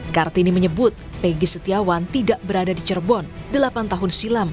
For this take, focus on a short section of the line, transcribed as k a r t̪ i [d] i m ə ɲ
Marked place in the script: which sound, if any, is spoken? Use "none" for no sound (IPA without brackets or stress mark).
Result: n